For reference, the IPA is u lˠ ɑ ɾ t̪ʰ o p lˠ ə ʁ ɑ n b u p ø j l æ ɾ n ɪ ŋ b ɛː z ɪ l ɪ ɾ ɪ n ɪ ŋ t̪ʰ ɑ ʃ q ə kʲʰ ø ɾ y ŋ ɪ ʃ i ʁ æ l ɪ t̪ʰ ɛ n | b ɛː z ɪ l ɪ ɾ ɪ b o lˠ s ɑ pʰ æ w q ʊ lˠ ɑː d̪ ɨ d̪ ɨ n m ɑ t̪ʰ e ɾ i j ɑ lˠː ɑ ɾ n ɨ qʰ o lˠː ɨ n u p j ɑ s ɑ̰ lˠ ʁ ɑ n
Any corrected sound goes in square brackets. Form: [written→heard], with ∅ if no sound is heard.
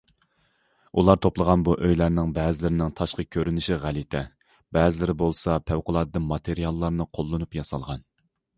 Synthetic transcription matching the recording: u lˠ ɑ ɾ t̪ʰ o p lˠ ə ʁ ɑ n b u [p→ʔ] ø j l æ ɾ n ɪ ŋ b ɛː z ɪ l ɪ ɾ ɪ n ɪ ŋ t̪ʰ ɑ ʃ q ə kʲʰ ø ɾ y [ŋ→n] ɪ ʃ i ʁ æ l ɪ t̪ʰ ɛ [n→∅] | b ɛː z ɪ l ɪ ɾ ɪ b o lˠ s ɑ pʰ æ w q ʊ lˠ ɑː d̪ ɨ d̪ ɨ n m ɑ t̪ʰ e ɾ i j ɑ lˠː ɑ ɾ n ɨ qʰ o lˠː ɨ n u p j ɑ s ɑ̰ lˠ ʁ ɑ n